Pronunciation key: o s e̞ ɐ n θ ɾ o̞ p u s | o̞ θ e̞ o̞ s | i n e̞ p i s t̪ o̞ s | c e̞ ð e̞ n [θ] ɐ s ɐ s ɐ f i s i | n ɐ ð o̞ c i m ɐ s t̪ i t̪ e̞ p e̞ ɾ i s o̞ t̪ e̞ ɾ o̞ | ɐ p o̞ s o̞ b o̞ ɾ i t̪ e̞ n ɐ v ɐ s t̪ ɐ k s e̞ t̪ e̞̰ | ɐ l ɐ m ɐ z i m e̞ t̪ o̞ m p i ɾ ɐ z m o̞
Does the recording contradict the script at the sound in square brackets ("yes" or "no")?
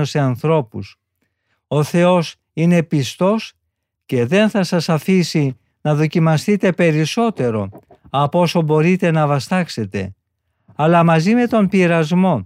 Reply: no